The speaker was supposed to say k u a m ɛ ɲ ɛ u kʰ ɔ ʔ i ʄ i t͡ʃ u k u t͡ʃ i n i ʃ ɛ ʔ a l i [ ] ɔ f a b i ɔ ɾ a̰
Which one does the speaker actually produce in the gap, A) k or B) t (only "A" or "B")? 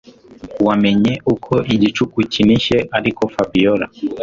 A